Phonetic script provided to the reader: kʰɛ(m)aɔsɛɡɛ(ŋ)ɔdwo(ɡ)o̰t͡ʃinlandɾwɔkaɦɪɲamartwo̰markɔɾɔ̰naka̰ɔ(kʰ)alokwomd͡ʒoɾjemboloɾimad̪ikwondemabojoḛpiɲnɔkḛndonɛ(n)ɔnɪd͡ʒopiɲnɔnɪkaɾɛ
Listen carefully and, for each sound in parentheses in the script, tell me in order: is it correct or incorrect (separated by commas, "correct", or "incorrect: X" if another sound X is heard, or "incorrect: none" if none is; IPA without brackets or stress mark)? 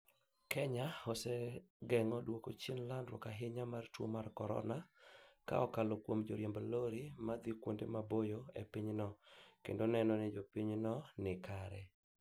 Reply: incorrect: ɲ, correct, incorrect: k, incorrect: k, correct